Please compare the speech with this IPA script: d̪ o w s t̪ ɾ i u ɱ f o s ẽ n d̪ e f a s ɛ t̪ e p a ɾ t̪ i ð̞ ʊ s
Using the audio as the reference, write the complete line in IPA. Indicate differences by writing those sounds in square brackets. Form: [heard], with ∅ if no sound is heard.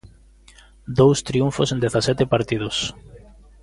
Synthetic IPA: d̪ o w s t̪ ɾ i u ɱ f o s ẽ n d̪ e [θ] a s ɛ t̪ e p a ɾ t̪ i ð̞ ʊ s